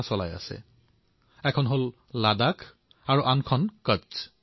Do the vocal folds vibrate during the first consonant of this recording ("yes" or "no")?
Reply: no